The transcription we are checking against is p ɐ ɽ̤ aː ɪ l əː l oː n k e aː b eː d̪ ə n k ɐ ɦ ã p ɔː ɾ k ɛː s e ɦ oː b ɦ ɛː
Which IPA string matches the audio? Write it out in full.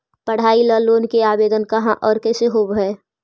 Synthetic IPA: p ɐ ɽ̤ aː i l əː l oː n k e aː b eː d̪ ə n k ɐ ɦ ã ʔ ɔː ɾ k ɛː s e ɦ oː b ɦ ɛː

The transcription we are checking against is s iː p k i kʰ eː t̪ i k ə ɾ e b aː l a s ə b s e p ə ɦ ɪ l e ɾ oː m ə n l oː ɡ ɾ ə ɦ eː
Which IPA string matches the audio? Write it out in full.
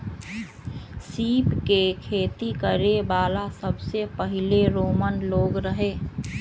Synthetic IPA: s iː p k e kʰ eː t̪ i k ə ɾ e b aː l a s ə b s e p ə ɦ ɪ l e ɾ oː m ə n l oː ɡ ɾ ə ɦ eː

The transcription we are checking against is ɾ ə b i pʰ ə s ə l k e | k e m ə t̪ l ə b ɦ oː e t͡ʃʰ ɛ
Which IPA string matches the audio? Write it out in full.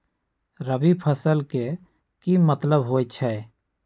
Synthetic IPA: ɾ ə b i pʰ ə s ə l k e | k i m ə t̪ l ə b ɦ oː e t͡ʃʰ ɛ

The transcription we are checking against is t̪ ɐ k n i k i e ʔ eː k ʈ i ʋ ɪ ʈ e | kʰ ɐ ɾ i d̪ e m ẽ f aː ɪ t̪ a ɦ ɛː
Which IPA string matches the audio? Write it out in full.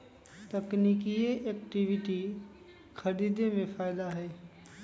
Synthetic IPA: t̪ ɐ k n i k i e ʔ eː k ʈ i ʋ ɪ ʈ i | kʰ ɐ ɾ i d̪ e m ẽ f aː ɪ d̪ a ɦ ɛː

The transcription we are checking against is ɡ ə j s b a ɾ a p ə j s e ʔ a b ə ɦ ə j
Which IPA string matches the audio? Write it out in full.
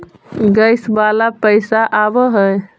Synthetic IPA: ɡ ə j s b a l a p ə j s a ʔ a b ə ɦ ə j

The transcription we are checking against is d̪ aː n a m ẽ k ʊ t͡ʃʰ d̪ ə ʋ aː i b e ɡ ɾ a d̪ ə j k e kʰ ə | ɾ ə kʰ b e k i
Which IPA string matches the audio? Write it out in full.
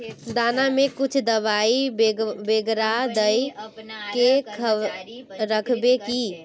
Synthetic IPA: d̪ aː n a m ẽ k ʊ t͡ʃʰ d̪ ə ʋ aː i b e ɡ ɾ a d̪ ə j k e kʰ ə | ɾ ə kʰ b e k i

